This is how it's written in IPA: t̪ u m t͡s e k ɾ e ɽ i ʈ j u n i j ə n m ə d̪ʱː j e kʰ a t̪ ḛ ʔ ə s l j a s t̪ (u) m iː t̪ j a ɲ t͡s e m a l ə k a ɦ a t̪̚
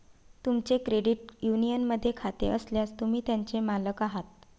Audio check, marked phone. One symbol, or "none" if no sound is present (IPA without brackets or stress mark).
u